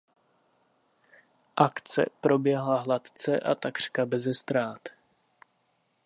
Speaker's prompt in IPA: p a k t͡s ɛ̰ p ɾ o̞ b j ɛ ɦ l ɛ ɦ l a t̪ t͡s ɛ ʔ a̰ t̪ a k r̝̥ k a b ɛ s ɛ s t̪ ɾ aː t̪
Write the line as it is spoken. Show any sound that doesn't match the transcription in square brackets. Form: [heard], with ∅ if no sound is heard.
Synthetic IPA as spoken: [ʔ] a k t͡s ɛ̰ p ɾ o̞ b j ɛ ɦ l [a] ɦ l a t̪ t͡s ɛ ʔ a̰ t̪ a k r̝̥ k a b ɛ [z] ɛ s t̪ ɾ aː t̪

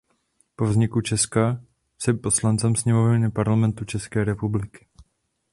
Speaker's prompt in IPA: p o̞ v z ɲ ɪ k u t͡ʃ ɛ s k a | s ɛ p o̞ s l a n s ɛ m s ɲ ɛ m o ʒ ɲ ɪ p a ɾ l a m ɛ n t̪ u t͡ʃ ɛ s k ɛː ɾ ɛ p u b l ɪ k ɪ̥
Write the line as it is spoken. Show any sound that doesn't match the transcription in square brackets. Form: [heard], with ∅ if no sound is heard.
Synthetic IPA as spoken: p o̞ v z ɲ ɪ k u t͡ʃ ɛ s k a | s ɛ p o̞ s l a n [t͡s] ɛ m s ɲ ɛ m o [v] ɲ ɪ p a ɾ l a m ɛ n t̪ u t͡ʃ ɛ s k ɛː ɾ ɛ p u b l ɪ k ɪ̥

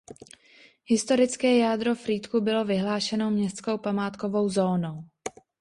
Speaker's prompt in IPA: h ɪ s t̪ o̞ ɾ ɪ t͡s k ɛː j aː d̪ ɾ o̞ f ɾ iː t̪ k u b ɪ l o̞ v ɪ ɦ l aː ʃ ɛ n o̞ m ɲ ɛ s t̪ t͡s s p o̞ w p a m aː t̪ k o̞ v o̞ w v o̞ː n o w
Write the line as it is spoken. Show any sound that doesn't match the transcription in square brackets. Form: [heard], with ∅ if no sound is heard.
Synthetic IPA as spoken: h ɪ s t̪ o̞ ɾ ɪ t͡s k ɛː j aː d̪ ɾ o̞ f ɾ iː t̪ k u b ɪ l o̞ v ɪ ɦ l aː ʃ ɛ n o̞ m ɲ ɛ s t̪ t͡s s [k] o̞ w p a m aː t̪ k o̞ v o̞ w [z] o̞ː n o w

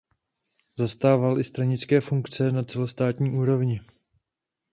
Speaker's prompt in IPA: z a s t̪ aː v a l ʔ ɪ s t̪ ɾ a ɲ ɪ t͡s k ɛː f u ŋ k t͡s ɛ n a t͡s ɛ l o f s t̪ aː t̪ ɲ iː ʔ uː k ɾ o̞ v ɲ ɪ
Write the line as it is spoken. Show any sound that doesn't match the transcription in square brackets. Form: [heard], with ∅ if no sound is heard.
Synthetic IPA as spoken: z a s t̪ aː v a l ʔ ɪ s t̪ ɾ a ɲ ɪ t͡s k ɛː f u ŋ k t͡s ɛ n a t͡s ɛ l o [∅] s t̪ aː t̪ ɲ iː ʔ uː [∅] ɾ o̞ v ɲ ɪ

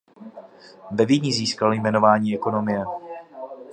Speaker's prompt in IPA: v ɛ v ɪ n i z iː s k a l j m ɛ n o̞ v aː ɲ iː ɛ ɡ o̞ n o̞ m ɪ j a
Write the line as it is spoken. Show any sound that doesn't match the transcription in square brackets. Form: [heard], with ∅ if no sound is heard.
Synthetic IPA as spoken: v ɛ v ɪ [ɲ] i z iː s k a l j m ɛ n o̞ v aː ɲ iː ɛ [k] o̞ n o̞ m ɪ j [ɛ]

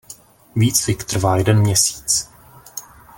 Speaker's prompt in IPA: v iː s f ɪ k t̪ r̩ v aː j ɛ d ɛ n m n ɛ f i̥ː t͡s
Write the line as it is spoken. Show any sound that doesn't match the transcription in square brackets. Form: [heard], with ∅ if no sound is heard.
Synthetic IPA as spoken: v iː [t͡s] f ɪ k t̪ r̩ v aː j ɛ d ɛ n m [ɲ] ɛ [s] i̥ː t͡s

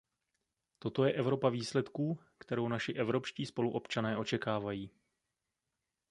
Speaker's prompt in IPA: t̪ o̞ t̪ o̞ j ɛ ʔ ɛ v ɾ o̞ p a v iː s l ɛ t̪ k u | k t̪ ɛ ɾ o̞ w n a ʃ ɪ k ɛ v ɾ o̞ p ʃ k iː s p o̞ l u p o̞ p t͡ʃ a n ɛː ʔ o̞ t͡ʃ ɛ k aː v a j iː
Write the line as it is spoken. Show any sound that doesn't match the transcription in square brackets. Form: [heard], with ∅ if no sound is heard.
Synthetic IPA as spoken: t̪ o̞ t̪ o̞ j ɛ ʔ ɛ v ɾ o̞ p a v iː s l ɛ t̪ k [uː] | k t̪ ɛ ɾ o̞ w n a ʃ ɪ [ʔ] ɛ v ɾ o̞ p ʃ [c] iː s p o̞ l u [ʔ] o̞ p t͡ʃ a n ɛː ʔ o̞ t͡ʃ ɛ k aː v a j iː

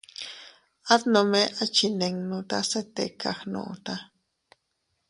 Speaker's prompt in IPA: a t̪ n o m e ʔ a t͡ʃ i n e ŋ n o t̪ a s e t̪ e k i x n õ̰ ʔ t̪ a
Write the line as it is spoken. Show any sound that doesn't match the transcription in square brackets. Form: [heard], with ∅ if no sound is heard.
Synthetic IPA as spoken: a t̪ n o m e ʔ a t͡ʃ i n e ŋ n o t̪ a s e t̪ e k [a] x n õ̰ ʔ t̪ a

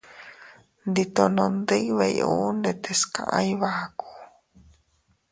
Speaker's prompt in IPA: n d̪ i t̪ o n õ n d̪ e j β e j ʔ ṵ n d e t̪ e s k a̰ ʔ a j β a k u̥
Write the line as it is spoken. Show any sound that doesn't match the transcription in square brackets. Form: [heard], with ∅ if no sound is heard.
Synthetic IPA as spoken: n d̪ i t̪ o n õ n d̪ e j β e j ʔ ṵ n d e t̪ e s k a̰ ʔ a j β a k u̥

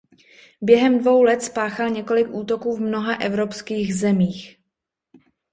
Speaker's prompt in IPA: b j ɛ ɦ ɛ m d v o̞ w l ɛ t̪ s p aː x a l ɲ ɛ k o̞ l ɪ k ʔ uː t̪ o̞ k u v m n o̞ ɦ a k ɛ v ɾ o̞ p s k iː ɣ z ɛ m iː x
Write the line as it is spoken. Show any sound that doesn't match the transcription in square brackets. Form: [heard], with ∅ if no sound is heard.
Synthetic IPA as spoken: b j ɛ ɦ ɛ m d v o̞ w l ɛ t̪ s p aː x a l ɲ ɛ k o̞ l ɪ k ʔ uː t̪ o̞ k [uː] v m n o̞ ɦ a [ʔ] ɛ v ɾ o̞ p s k iː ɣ z ɛ m iː x

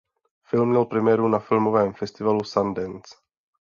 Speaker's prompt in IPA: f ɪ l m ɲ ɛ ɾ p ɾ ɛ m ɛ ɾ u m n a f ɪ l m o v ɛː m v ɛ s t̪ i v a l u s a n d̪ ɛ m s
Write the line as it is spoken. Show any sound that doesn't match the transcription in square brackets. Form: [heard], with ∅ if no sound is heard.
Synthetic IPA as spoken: f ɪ l m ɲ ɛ [l] p ɾ ɛ m ɛ ɾ u [∅] n a f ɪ l m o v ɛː m [f] ɛ s t̪ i v a l u s a n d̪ ɛ [n] s

